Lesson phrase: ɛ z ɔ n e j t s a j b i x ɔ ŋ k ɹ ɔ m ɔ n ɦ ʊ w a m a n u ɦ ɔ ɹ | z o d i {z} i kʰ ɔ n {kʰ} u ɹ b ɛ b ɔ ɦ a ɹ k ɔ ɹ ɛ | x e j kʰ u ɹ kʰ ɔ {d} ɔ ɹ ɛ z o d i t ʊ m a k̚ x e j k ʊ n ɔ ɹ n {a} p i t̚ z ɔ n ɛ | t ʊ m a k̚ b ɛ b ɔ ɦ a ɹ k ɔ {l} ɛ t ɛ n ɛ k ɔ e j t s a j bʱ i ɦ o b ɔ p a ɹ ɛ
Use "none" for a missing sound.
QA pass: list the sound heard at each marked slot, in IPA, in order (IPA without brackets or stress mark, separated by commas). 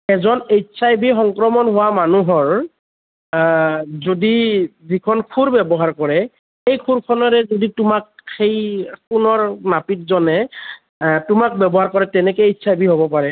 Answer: z, kʰ, n, a, ɹ